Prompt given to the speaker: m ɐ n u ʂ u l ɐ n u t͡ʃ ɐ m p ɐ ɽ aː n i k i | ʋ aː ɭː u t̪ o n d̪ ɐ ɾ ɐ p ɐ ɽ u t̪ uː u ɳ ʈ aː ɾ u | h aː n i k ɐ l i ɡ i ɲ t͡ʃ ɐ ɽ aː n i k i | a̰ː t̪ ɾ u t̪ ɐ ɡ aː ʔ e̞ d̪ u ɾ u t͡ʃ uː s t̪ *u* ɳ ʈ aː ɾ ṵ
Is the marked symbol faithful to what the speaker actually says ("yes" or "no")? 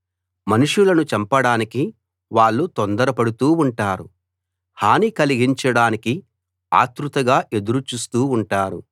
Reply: no